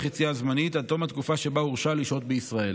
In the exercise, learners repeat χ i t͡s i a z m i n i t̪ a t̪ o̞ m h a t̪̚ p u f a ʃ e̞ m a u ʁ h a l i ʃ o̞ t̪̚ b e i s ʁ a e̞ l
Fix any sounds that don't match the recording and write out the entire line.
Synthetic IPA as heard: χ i t͡s i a z m a n i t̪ a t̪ o̞ m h a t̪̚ k u f a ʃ e̞ b a u ʁ ʃ a l i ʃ o̞ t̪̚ b e i s ʁ a e̞ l